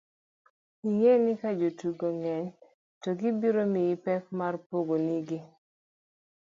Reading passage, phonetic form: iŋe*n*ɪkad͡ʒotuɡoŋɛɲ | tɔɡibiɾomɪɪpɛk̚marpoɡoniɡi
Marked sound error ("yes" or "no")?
no